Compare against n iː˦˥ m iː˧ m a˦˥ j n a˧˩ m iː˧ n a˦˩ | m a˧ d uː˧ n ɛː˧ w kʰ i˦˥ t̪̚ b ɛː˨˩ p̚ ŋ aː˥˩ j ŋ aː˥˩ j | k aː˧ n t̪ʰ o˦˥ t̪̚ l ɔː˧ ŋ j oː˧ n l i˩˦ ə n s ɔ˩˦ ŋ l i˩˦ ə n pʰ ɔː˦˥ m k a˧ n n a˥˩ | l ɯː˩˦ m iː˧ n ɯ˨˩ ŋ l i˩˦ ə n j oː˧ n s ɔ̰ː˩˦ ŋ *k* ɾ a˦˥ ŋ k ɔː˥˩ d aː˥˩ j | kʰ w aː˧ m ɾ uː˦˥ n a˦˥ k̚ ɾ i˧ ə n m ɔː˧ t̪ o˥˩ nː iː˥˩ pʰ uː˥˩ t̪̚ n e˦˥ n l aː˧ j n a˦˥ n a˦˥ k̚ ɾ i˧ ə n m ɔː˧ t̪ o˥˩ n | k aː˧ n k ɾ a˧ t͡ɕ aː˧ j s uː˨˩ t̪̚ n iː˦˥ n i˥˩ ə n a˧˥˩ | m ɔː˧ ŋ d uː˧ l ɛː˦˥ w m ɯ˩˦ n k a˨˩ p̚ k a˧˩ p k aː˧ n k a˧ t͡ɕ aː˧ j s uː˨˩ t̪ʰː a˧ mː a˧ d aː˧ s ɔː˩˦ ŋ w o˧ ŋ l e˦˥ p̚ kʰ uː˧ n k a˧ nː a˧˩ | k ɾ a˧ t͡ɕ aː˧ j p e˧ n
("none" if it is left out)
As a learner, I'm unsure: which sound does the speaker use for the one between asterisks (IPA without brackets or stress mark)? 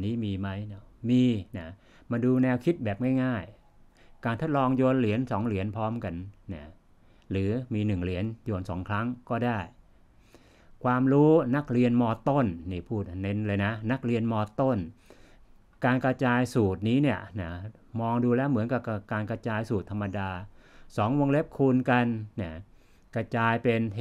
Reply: kʰ